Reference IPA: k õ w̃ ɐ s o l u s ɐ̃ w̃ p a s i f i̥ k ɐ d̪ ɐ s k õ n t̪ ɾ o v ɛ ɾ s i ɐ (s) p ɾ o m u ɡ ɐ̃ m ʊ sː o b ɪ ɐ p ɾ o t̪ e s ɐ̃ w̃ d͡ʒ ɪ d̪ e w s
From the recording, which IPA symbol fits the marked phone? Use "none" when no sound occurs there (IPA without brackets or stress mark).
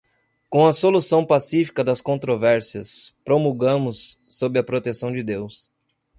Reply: s